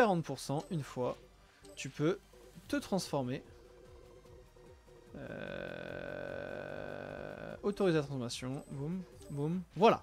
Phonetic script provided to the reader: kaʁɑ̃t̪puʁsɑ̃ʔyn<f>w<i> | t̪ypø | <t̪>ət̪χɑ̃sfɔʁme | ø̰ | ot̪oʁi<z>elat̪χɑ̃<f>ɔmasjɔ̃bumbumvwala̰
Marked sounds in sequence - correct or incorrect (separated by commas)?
correct, incorrect, correct, correct, correct